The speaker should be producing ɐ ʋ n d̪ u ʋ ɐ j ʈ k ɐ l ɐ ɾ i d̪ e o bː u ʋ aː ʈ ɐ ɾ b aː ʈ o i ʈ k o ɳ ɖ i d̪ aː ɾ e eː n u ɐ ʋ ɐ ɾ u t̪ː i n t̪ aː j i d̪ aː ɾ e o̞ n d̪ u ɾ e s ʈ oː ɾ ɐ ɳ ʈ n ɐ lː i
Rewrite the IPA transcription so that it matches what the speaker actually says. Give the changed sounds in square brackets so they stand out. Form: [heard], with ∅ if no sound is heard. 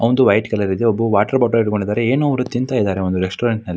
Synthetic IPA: ɐ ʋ n d̪ u ʋ ɐ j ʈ k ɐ l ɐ ɾ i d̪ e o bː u ʋ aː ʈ ɐ ɾ b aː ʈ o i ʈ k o ɳ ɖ i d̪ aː ɾ e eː n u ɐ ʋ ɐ ɾ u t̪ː i n t̪ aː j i d̪ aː ɾ e o̞ n d̪ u ɾ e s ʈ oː ɾ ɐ ɳ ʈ n ɐ lː i